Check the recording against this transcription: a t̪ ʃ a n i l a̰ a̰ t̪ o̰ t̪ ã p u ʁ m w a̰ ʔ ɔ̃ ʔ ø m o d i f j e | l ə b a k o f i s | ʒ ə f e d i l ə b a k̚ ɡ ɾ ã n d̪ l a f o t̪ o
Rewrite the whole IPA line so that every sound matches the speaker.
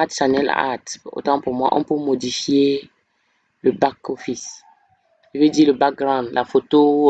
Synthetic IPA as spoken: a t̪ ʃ a n ɛ l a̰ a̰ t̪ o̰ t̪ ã p u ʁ m w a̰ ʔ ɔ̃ p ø m o d i f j e | l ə b a k o f i s | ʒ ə v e d i l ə b a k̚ ɡ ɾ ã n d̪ l a f o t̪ o